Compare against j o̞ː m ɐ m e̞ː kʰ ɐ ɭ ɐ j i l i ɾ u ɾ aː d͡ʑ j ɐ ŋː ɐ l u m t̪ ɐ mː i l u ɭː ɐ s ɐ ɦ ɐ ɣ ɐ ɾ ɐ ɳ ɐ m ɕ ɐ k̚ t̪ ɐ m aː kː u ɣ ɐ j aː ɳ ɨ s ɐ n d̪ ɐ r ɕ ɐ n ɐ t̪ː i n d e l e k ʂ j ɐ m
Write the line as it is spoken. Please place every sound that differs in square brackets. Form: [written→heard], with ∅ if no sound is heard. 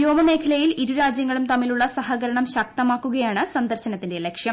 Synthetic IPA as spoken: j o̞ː m ɐ m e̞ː kʰ ɐ [ɭ→l] ɐ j i l i ɾ u ɾ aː d͡ʑ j ɐ ŋː ɐ [l→ɭ] u m t̪ ɐ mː i l u ɭː ɐ s ɐ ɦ ɐ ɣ ɐ ɾ ɐ ɳ ɐ m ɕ ɐ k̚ t̪ ɐ m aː kː u ɣ ɐ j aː ɳ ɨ s ɐ n d̪ ɐ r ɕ ɐ n ɐ t̪ː i n d e l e k ʂ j ɐ m

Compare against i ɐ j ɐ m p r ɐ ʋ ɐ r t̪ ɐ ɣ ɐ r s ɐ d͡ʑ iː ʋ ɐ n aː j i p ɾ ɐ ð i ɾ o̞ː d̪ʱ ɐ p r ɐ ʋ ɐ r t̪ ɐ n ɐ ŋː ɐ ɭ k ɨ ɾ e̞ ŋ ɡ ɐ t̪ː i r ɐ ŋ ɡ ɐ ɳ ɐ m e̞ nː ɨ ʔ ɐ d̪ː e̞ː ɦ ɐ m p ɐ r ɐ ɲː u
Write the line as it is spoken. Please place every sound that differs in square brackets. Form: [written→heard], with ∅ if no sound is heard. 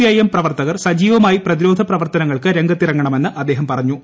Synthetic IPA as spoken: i ɐ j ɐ m p r ɐ ʋ ɐ r t̪ ɐ ɣ ɐ r s ɐ d͡ʑ iː ʋ ɐ [n→m] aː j i p [ɾ→r] ɐ ð i ɾ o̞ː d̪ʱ ɐ p r ɐ ʋ ɐ r t̪ ɐ n ɐ ŋː ɐ ɭ k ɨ ɾ e̞ ŋ ɡ ɐ t̪ː i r ɐ ŋ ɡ ɐ ɳ ɐ m e̞ nː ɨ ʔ ɐ d̪ː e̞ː ɦ ɐ m p ɐ r ɐ ɲː u

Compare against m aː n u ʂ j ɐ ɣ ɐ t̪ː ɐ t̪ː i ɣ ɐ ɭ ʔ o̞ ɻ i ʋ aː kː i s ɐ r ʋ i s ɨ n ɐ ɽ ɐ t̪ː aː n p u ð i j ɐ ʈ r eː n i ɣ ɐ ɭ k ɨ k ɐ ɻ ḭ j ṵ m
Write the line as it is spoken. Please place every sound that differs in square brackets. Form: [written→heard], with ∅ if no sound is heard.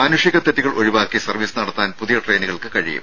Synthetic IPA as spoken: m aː n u ʂ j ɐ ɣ ɐ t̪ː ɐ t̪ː i ɣ ɐ ɭ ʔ o̞ ɻ i ʋ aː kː i s ɐ r ʋ i s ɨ n ɐ ɽ ɐ t̪ː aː n p u ð i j ɐ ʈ r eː n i ɣ ɐ ɭ k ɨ k ɐ ɻ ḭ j ṵ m

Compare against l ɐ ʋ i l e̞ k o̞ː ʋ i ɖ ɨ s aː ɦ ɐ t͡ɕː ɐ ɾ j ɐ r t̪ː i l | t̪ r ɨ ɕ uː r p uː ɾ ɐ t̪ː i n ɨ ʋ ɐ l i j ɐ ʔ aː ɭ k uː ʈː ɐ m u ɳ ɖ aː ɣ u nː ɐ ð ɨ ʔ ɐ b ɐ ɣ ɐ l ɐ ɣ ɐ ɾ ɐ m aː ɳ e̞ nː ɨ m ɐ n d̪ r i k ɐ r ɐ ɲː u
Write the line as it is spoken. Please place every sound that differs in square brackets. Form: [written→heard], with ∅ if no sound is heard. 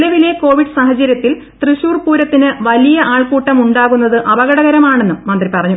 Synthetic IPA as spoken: l ɐ ʋ i l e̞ k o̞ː ʋ i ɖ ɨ s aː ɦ ɐ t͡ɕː ɐ ɾ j ɐ [r→∅] t̪ː i l | t̪ r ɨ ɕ uː r p uː ɾ ɐ t̪ː i n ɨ ʋ ɐ l i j ɐ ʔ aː ɭ k uː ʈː ɐ m u ɳ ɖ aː ɣ u nː ɐ ð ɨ ʔ ɐ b ɐ ɣ ɐ [l→ɽ] ɐ ɣ ɐ ɾ ɐ m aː ɳ e̞ nː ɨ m ɐ n d̪ r i [k→p] ɐ r ɐ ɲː u

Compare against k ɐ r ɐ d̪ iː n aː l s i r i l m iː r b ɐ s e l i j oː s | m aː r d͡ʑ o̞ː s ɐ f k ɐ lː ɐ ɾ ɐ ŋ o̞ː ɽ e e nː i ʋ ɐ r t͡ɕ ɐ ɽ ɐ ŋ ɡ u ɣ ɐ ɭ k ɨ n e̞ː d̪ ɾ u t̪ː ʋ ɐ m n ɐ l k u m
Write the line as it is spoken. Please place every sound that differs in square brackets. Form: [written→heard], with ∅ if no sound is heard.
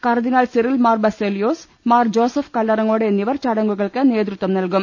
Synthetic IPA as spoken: k ɐ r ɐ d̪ [iː→i] n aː l s i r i l m [iː→aː] r b ɐ s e l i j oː s | m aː r d͡ʑ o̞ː s ɐ f k ɐ lː ɐ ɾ ɐ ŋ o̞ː ɽ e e nː i ʋ ɐ r t͡ɕ ɐ ɽ ɐ ŋ ɡ u ɣ ɐ ɭ k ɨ n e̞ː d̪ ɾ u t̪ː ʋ ɐ m n ɐ l k u m

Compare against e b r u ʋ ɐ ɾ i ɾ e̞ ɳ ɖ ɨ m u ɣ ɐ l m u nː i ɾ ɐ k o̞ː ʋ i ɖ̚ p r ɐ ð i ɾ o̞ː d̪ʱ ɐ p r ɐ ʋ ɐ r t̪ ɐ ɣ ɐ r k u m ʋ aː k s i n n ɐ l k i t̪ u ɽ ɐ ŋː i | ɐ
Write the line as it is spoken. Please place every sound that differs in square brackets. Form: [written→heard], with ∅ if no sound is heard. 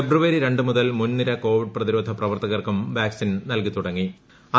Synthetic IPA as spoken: e b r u ʋ ɐ ɾ i ɾ e̞ ɳ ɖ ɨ m u [ɣ→ð] ɐ l m u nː i ɾ ɐ k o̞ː ʋ i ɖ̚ p r ɐ ð i ɾ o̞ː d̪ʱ ɐ p r ɐ ʋ ɐ r t̪ ɐ ɣ ɐ r k u m ʋ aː k s i n n ɐ l k i t̪ u ɽ ɐ ŋː i | ɐ

